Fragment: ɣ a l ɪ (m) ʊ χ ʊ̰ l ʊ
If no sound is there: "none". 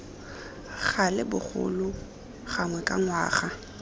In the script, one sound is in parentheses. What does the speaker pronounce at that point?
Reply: b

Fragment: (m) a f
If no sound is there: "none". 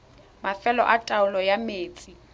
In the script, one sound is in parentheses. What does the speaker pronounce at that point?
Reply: m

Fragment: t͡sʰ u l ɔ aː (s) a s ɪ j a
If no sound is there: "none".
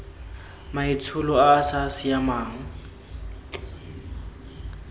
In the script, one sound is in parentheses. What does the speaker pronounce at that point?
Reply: s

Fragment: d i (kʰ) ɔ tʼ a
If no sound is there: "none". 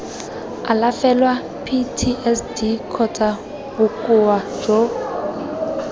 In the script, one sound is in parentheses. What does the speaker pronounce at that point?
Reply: kʰ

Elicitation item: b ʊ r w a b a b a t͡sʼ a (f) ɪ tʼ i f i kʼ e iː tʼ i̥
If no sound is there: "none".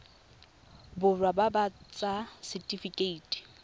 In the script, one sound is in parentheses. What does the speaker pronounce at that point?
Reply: s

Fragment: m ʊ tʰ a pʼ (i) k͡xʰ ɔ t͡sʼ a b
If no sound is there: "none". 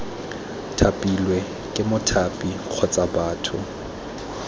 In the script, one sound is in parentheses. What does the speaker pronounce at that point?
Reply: i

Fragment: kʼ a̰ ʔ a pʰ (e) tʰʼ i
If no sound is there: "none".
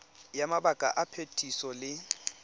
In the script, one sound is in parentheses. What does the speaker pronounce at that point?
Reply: e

